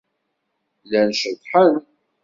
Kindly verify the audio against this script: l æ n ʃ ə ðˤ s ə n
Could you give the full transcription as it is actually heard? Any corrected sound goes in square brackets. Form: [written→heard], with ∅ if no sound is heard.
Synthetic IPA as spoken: l æ n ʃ ə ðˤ [s→ħ] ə n